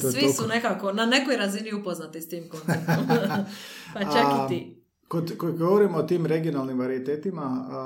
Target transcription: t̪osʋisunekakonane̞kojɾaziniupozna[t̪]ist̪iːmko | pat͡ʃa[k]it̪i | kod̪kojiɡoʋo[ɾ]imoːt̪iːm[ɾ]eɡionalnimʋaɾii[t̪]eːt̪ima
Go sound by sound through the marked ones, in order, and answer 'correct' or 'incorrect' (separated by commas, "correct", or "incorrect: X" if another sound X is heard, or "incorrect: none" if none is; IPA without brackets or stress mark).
correct, correct, correct, correct, correct